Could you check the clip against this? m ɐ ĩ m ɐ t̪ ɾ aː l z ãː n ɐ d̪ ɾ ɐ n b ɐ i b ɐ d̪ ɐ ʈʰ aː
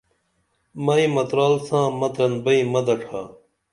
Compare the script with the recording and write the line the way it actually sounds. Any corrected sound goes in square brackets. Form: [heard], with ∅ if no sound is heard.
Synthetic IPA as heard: m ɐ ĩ m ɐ t̪ ɾ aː l [s] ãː [m] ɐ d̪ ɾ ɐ n b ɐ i [m] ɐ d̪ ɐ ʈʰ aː

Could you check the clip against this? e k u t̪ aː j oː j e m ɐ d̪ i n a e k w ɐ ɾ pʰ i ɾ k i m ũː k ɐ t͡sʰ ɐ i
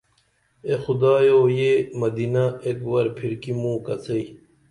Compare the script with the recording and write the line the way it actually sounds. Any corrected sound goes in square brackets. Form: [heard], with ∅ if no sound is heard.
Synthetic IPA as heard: e [x] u [d̪] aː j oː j e m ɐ d̪ i n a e k w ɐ ɾ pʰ i ɾ k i m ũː k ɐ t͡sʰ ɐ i

